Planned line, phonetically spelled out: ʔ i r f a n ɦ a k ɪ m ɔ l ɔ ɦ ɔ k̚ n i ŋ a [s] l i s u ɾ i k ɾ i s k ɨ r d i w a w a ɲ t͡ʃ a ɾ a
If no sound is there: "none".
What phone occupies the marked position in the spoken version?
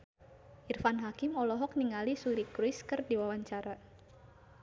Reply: none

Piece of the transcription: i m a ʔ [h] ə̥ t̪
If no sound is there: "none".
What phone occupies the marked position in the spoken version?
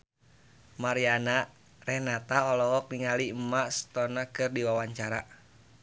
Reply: s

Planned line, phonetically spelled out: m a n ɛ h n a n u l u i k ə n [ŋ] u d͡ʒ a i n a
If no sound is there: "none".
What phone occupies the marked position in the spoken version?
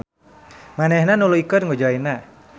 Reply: ŋ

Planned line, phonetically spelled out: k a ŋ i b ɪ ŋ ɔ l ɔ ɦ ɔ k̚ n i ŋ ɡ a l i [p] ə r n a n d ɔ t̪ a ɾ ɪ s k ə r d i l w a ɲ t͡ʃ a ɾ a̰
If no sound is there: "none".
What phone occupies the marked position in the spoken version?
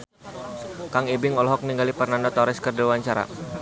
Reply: p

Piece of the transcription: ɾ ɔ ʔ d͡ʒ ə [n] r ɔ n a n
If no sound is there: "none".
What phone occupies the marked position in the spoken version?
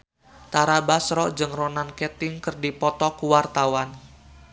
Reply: ŋ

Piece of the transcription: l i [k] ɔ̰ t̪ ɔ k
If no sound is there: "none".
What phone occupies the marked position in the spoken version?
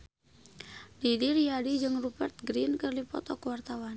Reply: p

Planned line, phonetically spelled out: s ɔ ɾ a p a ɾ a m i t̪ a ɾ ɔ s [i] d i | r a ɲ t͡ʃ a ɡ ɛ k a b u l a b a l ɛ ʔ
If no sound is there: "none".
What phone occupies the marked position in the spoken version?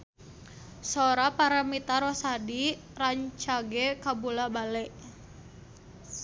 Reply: a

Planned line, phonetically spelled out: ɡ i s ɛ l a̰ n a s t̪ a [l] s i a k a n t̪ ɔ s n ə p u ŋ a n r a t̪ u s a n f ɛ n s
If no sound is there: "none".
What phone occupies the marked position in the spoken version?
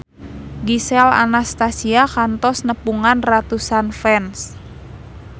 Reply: none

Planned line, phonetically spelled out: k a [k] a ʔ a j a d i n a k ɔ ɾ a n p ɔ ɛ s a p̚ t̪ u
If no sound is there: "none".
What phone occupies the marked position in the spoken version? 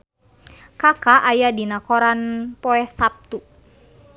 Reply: k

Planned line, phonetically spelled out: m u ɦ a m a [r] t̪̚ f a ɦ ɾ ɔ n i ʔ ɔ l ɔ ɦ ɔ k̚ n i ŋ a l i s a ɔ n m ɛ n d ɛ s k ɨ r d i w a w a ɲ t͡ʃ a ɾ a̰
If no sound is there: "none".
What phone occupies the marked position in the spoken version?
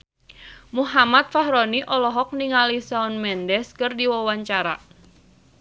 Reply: none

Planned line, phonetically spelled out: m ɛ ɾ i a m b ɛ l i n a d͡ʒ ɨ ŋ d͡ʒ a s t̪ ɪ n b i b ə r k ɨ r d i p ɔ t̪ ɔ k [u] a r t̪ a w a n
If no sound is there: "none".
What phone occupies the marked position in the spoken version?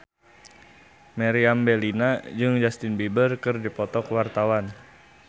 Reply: w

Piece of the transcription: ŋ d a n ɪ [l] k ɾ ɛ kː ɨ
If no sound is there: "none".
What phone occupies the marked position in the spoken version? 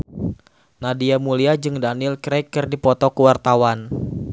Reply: l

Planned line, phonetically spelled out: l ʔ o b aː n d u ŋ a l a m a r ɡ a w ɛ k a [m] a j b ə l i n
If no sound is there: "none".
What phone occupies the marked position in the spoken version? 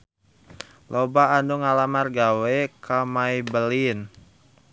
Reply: m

